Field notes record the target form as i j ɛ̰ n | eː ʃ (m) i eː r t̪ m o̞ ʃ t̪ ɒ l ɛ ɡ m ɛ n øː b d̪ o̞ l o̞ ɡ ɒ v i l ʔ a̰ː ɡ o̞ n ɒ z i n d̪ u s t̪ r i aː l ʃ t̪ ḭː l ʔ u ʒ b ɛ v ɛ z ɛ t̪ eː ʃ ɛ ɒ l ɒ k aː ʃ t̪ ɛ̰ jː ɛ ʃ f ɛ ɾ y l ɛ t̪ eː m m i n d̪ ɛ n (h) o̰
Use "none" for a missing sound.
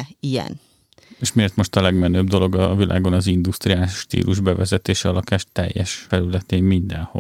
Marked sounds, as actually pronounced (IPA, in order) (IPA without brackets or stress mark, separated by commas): m, h